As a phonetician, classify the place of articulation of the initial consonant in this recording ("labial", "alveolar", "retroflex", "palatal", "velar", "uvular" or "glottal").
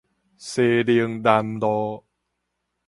alveolar